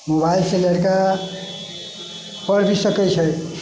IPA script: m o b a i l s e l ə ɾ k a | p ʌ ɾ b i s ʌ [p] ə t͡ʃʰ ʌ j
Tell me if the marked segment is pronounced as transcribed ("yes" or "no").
no